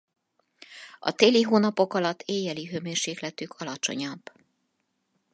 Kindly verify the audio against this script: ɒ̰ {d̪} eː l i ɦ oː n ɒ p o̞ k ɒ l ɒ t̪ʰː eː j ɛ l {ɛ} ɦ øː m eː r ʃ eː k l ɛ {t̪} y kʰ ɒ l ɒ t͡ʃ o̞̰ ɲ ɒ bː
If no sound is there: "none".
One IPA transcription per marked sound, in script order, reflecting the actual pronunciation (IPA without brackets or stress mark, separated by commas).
t̪, i, t̪